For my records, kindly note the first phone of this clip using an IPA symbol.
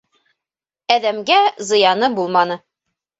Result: æ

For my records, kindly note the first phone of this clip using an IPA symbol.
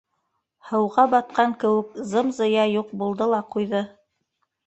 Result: h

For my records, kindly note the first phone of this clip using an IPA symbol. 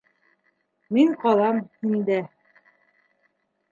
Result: m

